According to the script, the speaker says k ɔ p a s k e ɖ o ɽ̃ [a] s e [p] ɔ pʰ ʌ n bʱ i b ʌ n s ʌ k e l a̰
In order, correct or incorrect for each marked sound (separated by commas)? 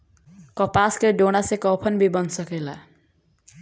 correct, incorrect